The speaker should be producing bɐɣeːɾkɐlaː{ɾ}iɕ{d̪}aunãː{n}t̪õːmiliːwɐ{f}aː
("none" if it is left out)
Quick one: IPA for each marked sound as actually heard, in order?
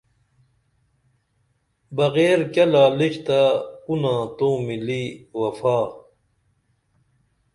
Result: l, t̪, none, f

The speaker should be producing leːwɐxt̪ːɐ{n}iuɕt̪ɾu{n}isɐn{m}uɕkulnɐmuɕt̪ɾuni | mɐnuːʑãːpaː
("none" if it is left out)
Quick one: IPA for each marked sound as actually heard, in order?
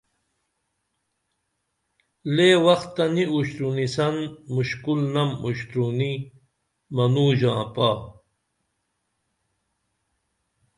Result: n, n, m

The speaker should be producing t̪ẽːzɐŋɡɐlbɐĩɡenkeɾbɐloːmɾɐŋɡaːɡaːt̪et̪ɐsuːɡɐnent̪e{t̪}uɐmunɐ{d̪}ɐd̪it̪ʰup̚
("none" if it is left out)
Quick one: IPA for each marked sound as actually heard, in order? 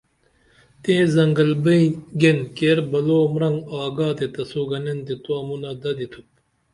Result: t̪, d̪

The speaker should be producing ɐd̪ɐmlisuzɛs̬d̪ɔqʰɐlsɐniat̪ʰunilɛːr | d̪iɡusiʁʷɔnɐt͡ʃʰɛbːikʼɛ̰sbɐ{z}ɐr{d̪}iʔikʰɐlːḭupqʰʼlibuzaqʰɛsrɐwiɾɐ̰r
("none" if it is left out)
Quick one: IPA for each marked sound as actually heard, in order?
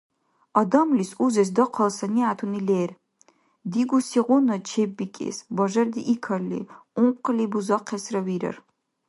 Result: ʒ, d̪

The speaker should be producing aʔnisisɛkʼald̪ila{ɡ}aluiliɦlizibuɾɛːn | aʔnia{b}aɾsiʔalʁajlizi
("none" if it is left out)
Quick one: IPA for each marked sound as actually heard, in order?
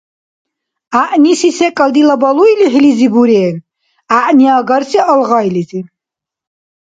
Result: b, ɡ

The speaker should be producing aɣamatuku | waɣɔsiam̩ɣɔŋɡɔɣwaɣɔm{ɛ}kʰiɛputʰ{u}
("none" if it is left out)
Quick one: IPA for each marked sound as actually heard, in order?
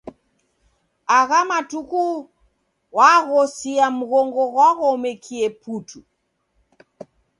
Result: ɛ, u

